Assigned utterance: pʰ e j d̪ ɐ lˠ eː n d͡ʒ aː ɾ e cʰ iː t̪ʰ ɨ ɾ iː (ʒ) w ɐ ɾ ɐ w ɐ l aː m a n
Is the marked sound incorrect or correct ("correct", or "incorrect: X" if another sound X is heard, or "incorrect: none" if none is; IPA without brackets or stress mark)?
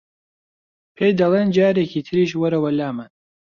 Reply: incorrect: ʃ